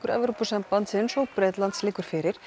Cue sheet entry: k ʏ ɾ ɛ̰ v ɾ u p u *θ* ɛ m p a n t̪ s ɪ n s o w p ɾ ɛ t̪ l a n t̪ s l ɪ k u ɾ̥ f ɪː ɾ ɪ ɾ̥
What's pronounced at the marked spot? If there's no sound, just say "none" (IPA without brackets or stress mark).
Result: s